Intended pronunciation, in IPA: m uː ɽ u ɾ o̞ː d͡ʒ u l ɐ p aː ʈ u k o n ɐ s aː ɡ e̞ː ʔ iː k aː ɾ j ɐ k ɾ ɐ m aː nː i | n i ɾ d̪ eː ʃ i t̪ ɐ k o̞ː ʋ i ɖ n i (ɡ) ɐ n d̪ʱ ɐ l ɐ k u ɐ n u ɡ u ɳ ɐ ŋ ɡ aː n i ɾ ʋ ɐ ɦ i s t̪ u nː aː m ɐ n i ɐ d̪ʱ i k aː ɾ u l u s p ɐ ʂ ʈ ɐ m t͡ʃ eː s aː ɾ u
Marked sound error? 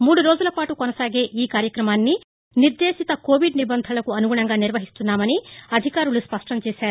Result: yes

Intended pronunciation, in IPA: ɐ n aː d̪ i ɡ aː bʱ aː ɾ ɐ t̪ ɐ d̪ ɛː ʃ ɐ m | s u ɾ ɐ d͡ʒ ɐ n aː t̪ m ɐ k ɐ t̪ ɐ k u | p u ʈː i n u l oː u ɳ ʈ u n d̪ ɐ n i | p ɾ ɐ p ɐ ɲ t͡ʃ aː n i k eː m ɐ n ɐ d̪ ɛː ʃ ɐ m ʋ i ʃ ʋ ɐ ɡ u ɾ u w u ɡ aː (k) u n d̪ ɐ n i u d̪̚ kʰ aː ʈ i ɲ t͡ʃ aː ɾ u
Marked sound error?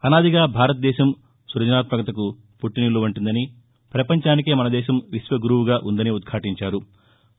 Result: yes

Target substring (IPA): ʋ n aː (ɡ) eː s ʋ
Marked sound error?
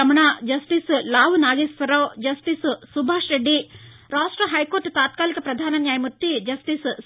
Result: no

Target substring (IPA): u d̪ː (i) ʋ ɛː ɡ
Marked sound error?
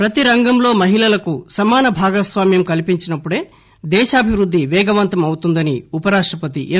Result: no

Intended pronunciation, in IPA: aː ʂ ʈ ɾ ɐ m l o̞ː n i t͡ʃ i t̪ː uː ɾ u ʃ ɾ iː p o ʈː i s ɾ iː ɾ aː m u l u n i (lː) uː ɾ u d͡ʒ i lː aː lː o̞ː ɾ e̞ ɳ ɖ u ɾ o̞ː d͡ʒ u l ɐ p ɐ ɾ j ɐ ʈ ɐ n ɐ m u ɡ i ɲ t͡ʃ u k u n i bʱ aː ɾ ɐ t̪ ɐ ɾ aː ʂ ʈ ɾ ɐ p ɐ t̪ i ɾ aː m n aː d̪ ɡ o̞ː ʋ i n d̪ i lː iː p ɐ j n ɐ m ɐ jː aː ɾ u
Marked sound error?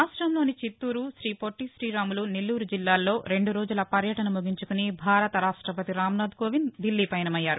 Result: no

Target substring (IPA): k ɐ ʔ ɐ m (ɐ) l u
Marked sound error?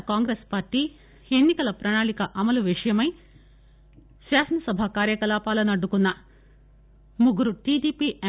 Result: no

